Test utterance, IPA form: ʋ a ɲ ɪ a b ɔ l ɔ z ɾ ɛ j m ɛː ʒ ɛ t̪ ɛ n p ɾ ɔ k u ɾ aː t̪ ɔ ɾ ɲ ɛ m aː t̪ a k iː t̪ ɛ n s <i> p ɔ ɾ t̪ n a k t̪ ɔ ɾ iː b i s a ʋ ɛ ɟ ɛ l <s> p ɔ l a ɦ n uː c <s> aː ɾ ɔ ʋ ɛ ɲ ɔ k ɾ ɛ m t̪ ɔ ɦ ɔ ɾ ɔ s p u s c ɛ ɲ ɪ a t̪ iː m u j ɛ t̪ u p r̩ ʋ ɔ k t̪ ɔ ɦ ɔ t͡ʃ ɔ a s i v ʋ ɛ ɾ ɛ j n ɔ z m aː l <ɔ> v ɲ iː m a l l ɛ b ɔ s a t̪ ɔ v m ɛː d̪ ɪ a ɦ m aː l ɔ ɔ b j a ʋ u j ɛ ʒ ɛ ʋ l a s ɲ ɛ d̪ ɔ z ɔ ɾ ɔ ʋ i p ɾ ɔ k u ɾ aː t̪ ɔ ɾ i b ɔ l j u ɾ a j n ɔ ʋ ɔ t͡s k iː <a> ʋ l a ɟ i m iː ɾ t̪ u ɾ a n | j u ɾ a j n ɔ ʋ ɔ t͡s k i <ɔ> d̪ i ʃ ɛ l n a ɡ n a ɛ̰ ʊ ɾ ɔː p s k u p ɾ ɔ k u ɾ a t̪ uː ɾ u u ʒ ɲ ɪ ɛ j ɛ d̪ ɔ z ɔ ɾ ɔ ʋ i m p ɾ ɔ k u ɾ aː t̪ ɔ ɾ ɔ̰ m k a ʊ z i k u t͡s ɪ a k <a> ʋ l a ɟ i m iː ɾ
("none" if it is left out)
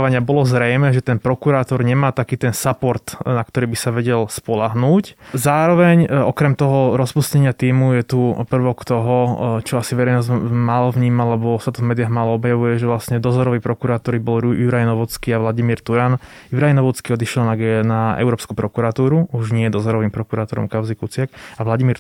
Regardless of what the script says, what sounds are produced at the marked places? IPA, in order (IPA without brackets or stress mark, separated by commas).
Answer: a, s, z, ɔ, a, ɔ, a